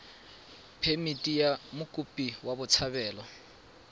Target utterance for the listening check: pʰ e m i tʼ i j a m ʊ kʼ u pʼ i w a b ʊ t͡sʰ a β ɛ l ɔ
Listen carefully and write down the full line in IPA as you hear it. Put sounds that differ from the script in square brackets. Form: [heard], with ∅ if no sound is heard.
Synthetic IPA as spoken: pʰ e m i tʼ i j a m ʊ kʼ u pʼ i w a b ʊ t͡sʰ a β [ɛː] l ɔ